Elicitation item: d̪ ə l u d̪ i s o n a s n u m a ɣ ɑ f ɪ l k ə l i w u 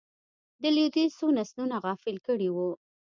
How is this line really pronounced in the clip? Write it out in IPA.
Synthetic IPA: d̪ ə l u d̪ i s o n a s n u n a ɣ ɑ f ɪ l k ə ɽ i w u

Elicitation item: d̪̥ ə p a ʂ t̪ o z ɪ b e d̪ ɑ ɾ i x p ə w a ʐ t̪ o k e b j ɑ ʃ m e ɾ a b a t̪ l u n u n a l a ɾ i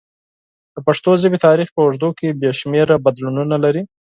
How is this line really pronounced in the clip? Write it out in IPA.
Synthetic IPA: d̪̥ ə p a ʂ t̪ o z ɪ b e t̪ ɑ ɾ i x p ə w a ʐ d̪ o k e b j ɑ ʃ m e ɾ a b a d̪ l u n u n a l a ɾ i

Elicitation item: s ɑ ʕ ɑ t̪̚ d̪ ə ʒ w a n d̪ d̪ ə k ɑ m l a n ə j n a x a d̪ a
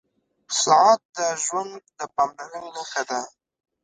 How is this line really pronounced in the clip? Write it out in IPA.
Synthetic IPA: s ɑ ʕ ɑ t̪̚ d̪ ə ʒ w a n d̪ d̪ ə p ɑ m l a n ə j n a x a d̪ a

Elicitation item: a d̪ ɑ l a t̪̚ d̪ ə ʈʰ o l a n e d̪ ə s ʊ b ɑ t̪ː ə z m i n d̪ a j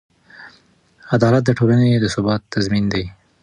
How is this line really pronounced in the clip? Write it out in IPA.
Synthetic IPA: a d̪ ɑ l a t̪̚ d̪ ə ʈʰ o l a n e d̪ ə s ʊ b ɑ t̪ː a z m i n d̪ a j

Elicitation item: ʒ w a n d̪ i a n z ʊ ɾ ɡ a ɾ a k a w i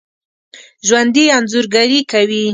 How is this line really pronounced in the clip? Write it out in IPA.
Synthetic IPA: ʒ w a n d̪ i a n z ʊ ɾ ɡ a ɾ i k a w i

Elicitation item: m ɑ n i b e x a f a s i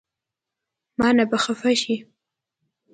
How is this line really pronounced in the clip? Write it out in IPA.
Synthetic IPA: m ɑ n a b a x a f a ʃ i

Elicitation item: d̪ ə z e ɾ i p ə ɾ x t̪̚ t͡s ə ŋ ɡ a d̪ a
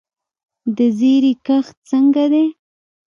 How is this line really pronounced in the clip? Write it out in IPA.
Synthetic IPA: d̪ ə z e ɾ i k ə x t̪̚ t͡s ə ŋ ɡ a d̪ e

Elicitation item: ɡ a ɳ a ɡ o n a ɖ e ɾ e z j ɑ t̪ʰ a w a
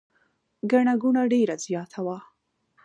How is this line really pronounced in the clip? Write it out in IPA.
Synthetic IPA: ɡ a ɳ a ɡ u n a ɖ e ɾ a z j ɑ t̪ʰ a w a

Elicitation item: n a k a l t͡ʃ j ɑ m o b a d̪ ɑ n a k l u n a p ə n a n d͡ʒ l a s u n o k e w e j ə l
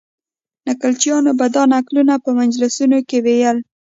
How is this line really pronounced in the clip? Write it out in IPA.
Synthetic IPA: n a k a l t͡ʃ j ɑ n o b a d̪ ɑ n a k l u n a p ə m a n d͡ʒ l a s u n o k e w e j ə l

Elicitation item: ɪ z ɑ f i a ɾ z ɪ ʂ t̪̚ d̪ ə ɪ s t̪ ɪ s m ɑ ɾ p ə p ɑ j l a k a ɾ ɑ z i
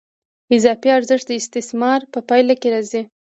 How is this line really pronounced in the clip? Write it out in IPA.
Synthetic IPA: ɪ z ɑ f i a ɾ z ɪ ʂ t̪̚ d̪ ə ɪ s t̪ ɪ s m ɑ ɾ p ə p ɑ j l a k e ɾ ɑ z i

